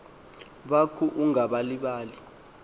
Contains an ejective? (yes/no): no